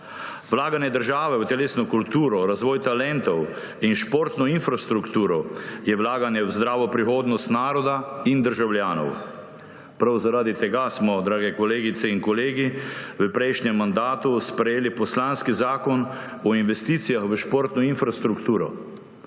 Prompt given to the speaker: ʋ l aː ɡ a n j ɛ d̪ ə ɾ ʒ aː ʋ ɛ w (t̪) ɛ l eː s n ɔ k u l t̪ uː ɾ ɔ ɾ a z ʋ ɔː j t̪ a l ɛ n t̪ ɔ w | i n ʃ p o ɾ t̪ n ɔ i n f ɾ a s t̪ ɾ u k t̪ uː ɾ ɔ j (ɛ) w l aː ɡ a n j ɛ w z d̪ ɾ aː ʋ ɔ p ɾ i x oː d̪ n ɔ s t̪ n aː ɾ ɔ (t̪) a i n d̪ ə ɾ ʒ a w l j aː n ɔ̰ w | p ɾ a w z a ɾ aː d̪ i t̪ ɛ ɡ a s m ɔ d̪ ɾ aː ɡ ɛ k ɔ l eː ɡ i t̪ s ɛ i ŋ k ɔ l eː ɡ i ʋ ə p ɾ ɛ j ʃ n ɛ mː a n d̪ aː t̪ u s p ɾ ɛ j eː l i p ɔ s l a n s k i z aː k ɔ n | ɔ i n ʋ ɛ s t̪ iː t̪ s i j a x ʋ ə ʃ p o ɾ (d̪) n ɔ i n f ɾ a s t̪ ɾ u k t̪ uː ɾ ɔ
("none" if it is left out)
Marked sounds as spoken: t̪, ɛ, d̪, t̪

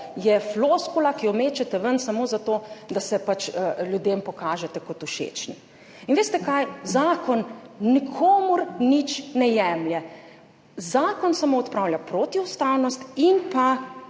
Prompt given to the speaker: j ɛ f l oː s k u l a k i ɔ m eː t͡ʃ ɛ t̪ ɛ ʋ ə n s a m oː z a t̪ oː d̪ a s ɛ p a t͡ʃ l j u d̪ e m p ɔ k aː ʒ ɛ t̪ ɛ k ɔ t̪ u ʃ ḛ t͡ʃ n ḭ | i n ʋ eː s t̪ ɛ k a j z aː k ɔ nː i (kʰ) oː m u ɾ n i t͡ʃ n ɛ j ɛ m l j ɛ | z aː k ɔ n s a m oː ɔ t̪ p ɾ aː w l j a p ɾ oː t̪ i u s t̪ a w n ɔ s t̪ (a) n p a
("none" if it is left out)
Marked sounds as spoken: kʰ, i

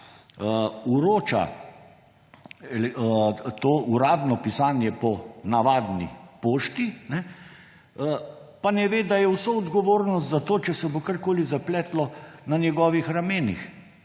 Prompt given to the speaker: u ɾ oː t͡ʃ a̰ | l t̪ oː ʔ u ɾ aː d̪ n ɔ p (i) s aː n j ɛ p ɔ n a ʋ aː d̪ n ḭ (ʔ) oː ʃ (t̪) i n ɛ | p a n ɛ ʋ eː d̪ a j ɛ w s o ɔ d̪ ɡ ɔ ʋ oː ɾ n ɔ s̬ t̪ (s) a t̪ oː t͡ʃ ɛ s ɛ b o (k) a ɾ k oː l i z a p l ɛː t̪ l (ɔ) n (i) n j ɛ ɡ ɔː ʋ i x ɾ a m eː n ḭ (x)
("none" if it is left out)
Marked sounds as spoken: i, p, t̪, z, k, ɔ, a, x

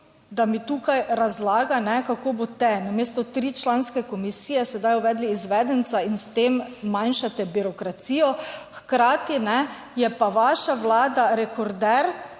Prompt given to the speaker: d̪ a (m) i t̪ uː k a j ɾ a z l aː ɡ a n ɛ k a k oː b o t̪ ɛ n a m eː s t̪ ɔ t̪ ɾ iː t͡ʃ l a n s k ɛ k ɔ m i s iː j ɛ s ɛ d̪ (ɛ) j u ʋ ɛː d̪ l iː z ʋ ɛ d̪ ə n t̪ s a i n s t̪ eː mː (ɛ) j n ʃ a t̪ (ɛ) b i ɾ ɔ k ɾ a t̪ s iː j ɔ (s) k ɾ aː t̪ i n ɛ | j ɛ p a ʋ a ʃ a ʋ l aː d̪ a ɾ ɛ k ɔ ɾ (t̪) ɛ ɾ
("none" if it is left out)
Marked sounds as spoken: m, a, a, ɛ, x, d̪

